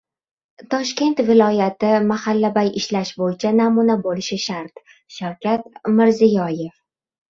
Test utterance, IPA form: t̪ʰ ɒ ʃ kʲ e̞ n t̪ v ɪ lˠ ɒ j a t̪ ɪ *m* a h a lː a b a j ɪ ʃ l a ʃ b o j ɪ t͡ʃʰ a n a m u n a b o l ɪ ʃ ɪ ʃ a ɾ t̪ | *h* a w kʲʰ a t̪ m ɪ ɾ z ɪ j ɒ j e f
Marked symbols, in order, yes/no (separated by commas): yes, no